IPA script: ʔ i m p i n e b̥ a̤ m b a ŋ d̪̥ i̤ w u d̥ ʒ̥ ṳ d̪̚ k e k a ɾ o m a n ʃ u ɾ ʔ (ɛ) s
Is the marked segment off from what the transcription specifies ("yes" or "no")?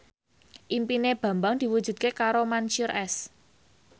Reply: no